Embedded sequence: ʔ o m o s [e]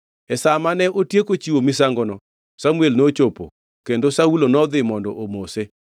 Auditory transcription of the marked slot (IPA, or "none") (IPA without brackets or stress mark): e